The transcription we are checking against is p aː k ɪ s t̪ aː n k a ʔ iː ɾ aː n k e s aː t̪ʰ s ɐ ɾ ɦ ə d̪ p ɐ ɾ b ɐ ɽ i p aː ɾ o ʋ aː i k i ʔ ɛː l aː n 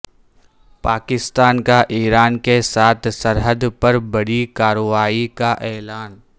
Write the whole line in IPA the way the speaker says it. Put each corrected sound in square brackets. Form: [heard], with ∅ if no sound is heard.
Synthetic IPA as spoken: p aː k ɪ s t̪ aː n k a ʔ iː ɾ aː n k e s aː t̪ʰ s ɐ ɾ ɦ ə d̪ p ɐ ɾ b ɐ ɽ i [k] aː ɾ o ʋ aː i k [a] ʔ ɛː l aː n

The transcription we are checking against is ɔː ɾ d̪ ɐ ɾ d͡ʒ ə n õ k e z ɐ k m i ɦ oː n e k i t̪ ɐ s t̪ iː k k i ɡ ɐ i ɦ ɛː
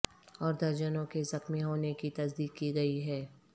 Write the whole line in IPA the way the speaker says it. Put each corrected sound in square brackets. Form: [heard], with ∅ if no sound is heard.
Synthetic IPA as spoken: ɔː ɾ d̪ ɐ ɾ d͡ʒ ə n õ k e z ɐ [x] m i ɦ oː n e k i t̪ ɐ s [d̪] iː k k i ɡ ɐ i ɦ ɛː

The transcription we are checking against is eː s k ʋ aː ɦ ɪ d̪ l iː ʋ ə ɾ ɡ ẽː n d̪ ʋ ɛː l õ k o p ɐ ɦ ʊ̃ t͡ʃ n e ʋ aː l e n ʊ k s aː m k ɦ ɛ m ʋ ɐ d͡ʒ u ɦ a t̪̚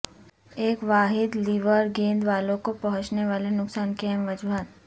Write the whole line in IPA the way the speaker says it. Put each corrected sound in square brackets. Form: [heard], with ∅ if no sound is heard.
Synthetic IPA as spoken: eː [∅] k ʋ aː ɦ ɪ d̪ l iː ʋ ə ɾ ɡ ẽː n d̪ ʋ [aː] l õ k o p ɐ ɦ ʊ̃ t͡ʃ n e ʋ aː l e n ʊ k s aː [n] k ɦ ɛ m ʋ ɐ d͡ʒ u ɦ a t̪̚

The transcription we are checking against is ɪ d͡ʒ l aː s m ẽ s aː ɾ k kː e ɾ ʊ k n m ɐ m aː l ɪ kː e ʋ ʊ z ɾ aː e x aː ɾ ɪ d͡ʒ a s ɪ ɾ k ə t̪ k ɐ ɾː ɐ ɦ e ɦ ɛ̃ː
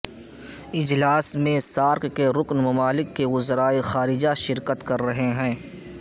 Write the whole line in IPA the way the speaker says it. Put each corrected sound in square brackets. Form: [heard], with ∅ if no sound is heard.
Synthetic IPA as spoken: ɪ d͡ʒ l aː s m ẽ s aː ɾ k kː e ɾ ʊ k n m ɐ m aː l ɪ kː e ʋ ʊ z ɾ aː e x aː ɾ ɪ d͡ʒ a [ʃ] ɪ ɾ k ə t̪ k ɐ ɾː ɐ ɦ e ɦ ɛ̃ː

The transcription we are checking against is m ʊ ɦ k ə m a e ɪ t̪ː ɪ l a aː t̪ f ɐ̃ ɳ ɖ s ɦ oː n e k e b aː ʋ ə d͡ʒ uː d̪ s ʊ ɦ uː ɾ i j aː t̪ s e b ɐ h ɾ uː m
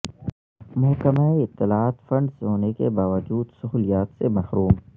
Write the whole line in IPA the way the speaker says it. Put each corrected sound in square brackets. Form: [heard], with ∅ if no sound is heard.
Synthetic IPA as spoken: m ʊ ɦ k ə m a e ɪ t̪ː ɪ l a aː t̪ f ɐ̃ ɳ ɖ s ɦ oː n e k e b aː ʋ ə d͡ʒ uː d̪ s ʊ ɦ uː [l] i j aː t̪ s e [m] ɐ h ɾ uː m

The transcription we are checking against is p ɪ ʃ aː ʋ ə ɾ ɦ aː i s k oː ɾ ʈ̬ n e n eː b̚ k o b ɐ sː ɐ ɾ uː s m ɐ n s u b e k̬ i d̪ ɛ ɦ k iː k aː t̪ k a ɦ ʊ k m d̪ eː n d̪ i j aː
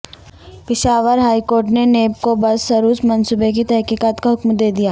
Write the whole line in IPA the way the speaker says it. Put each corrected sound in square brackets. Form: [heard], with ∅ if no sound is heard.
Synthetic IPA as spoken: p ɪ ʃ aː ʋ ə ɾ ɦ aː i [∅] k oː ɾ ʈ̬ n e n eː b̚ k o b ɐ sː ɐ ɾ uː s m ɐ n s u b e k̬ i [t̪] ɛ ɦ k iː k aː t̪ k a ɦ ʊ k m d̪ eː [∅] d̪ i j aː

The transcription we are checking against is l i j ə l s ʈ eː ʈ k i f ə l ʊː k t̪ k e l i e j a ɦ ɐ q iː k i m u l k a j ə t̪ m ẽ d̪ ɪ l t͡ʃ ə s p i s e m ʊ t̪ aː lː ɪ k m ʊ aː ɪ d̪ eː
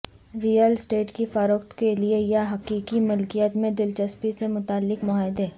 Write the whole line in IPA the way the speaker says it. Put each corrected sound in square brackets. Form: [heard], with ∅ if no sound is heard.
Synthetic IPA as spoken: [ɾ] i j ə l s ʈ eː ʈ k i f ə [ɾ] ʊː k t̪ k e l i e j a ɦ ɐ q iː k i m [ʊ] l k [i] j ə t̪ m ẽ d̪ ɪ l t͡ʃ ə s p i s e m ʊ t̪ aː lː ɪ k m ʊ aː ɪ d̪ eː

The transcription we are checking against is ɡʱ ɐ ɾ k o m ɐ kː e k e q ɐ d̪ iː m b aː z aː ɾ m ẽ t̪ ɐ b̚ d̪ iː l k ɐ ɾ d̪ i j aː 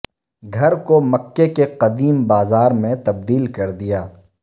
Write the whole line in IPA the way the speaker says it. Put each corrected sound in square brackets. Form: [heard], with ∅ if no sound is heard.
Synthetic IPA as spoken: ɡʱ ɐ ɾ k o m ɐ kː e k e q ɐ d̪ iː m b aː z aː ɾ m ẽ t̪ ɐ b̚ d̪ iː l k ɐ ɾ d̪ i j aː

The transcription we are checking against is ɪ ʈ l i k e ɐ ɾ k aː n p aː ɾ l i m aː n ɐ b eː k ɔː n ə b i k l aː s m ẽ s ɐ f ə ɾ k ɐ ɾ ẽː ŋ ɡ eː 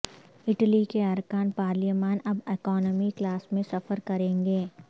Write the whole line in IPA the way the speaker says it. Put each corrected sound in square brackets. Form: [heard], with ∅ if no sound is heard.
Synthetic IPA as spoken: ɪ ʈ l i k e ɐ ɾ k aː n p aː ɾ l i m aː n ɐ b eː k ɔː n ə [m] i k l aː s m ẽ s ɐ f ə ɾ k ɐ ɾ ẽː ŋ ɡ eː

